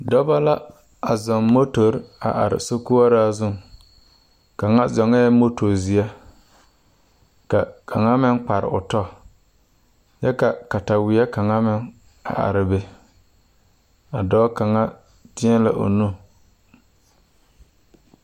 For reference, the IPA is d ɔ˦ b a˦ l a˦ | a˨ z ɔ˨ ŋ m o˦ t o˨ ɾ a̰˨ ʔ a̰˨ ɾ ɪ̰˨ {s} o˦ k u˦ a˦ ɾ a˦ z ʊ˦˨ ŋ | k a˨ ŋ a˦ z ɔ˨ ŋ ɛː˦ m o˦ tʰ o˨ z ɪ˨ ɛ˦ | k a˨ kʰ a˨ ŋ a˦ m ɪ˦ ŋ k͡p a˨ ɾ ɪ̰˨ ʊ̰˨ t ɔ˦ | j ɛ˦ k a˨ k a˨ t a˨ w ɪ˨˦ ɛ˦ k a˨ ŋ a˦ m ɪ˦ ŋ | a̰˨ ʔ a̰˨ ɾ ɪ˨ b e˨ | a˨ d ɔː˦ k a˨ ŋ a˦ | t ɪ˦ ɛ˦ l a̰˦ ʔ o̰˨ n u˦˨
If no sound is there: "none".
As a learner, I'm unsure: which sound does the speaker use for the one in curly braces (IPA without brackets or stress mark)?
s